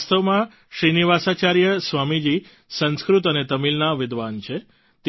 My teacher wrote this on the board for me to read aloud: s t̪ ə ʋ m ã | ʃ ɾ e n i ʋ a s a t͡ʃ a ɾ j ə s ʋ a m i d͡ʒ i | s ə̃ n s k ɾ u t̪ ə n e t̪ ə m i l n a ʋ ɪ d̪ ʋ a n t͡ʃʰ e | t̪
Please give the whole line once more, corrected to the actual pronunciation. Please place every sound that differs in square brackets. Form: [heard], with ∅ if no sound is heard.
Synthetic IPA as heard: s t̪ ə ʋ m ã | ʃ ɾ [i] n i ʋ a s a t͡ʃ a ɾ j ə s ʋ a m i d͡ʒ i | s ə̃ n s k ɾ u t̪ ə n e t̪ ə m i l n a ʋ ɪ d̪ ʋ a n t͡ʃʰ e | t̪